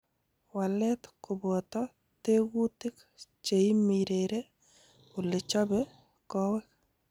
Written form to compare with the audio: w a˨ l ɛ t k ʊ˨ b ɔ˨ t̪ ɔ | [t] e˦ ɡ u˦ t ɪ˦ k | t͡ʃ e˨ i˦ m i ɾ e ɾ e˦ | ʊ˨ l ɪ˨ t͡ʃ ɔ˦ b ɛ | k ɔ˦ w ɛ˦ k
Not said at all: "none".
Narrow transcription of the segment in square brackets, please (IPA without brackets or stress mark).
t